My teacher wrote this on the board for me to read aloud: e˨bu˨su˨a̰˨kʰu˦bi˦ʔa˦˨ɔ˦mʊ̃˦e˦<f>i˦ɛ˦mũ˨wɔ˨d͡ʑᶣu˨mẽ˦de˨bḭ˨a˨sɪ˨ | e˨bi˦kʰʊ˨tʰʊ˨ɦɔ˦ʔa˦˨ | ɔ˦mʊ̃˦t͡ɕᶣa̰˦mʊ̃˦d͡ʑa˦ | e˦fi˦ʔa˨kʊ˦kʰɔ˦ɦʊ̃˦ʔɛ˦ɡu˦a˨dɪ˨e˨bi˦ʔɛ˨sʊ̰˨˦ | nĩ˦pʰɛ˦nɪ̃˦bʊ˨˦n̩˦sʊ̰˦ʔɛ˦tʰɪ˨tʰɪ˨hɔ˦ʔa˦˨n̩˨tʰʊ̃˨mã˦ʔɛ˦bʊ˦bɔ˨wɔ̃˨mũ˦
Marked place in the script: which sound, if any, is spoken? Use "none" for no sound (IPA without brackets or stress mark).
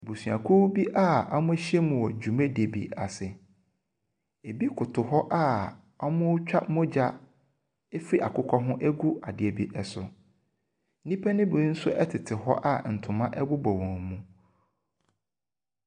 ɕ